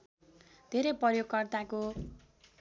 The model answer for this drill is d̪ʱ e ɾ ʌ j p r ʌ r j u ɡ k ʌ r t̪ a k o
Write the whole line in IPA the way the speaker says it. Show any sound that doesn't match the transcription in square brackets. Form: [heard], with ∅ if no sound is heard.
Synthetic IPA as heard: d̪ʱ e ɾ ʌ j p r ʌ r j [o] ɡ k ʌ r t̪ a k o